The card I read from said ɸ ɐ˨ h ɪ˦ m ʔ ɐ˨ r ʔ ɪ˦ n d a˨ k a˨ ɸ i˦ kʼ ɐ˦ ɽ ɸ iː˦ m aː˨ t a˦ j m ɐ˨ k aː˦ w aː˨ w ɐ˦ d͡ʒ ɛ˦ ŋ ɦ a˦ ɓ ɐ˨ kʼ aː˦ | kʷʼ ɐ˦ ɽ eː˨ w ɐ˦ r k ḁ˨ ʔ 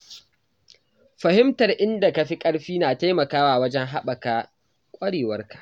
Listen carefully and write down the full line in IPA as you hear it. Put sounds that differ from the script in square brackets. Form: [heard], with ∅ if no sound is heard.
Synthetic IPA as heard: ɸ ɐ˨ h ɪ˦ m [t] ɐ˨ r ʔ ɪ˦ n d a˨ k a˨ ɸ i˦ kʼ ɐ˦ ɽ ɸ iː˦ [n] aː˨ t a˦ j m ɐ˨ k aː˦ w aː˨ w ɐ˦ d͡ʒ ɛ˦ ŋ ɦ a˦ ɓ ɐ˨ [k] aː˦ | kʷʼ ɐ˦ ɽ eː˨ w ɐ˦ r k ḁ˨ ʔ